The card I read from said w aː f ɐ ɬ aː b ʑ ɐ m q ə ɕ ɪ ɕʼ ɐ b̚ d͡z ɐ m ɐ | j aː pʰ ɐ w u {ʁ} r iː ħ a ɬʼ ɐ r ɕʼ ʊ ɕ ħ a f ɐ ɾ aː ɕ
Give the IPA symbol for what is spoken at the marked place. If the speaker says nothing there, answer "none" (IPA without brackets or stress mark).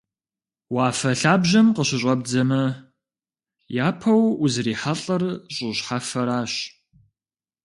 z